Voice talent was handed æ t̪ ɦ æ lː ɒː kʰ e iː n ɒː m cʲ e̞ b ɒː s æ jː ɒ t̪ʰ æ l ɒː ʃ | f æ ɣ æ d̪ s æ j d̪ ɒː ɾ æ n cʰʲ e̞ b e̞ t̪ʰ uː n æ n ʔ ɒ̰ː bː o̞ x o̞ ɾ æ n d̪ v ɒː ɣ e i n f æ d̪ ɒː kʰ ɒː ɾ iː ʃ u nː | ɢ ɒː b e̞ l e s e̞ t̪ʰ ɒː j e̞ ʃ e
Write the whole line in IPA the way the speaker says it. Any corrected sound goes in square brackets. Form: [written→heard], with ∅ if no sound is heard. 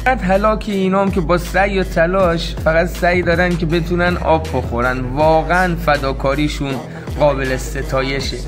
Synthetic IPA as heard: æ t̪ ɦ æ [lː→l] ɒː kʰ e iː n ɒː m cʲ e̞ b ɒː s æ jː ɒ t̪ʰ æ l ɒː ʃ | f æ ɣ æ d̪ s æ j d̪ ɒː ɾ æ n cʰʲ e̞ b e̞ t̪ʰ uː n æ n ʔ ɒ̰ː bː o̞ x o̞ ɾ æ n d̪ v ɒː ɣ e [i→æ] n f æ d̪ ɒː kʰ ɒː ɾ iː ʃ u [nː→n] | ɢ ɒː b e̞ l e s e̞ t̪ʰ ɒː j e̞ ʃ e